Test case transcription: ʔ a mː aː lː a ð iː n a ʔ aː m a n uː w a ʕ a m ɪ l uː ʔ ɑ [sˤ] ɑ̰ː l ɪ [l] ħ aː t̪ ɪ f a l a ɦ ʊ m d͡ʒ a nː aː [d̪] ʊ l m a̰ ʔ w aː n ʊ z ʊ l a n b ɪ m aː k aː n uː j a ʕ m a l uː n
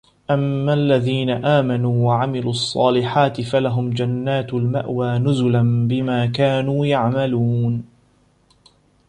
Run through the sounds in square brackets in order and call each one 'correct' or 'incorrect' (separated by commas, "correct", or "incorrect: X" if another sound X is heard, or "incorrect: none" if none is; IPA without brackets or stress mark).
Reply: incorrect: sˤː, incorrect: none, incorrect: t̪